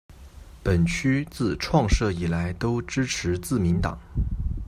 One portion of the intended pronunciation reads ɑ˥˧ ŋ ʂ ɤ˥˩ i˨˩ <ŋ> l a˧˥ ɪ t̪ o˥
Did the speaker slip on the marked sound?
yes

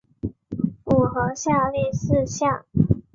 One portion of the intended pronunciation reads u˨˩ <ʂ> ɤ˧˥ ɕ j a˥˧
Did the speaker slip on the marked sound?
yes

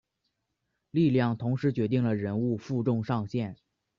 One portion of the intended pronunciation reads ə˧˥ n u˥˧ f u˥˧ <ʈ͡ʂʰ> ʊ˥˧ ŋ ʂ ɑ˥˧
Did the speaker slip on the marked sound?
yes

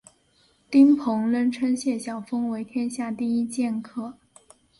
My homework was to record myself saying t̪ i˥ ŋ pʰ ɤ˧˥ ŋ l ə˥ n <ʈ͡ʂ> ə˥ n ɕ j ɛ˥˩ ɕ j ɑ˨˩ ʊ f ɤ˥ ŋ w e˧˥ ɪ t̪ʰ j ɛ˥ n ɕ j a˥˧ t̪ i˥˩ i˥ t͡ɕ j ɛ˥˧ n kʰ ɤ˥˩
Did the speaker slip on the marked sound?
yes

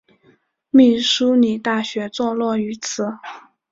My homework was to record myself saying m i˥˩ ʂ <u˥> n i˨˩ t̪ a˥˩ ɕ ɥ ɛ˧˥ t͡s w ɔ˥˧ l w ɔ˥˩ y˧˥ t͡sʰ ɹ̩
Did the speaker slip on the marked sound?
no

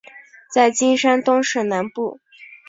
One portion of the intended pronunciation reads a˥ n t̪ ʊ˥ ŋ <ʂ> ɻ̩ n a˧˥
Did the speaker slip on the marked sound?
no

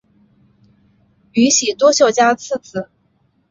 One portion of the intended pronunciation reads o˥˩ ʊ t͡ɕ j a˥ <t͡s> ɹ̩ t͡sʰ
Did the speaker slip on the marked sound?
yes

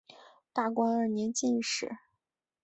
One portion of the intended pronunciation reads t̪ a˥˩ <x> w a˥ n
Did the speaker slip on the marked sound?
yes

